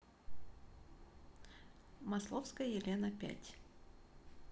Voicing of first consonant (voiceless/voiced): voiced